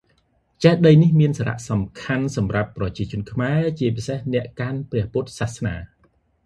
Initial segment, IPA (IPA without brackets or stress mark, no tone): t͡ɕ